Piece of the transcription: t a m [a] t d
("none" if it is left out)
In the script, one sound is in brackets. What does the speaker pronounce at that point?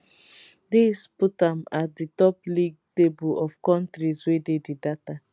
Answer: a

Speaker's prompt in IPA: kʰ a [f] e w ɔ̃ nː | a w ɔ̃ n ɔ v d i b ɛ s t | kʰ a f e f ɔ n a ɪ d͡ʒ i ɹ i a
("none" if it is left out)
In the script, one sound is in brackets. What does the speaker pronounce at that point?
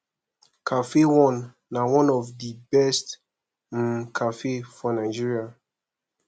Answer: f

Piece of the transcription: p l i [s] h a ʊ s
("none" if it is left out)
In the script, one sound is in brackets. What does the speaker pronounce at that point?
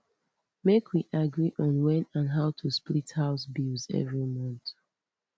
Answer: t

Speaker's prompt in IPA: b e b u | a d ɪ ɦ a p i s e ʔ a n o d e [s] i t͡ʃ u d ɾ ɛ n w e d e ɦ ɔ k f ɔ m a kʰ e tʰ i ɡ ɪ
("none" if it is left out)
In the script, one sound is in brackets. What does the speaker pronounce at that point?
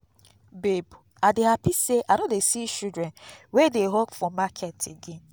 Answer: s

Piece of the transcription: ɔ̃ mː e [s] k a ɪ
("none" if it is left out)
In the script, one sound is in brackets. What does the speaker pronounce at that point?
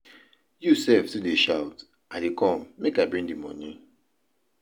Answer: none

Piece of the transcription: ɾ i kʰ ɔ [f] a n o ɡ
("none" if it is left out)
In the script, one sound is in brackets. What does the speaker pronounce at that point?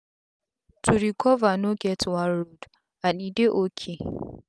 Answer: v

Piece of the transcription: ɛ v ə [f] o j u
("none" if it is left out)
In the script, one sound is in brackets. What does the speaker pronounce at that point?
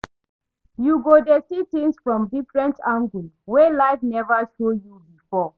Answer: ʃ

